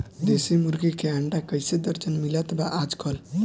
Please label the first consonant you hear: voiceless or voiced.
voiced